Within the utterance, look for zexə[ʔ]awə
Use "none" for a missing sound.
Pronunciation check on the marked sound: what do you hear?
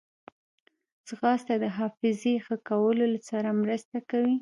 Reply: k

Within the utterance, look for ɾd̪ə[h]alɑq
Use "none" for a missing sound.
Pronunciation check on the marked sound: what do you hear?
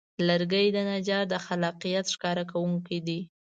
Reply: x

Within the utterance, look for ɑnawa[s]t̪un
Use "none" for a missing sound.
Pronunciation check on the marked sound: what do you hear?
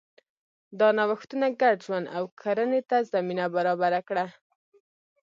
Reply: x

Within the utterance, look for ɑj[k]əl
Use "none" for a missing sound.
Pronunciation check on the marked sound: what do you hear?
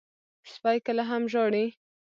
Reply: k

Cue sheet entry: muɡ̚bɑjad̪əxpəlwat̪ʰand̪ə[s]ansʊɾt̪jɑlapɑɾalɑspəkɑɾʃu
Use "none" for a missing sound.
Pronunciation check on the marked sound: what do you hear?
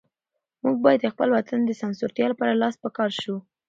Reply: s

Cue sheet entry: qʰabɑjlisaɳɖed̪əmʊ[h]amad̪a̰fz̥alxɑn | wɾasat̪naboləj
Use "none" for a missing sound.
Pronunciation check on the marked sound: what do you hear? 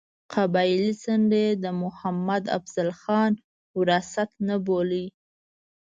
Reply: h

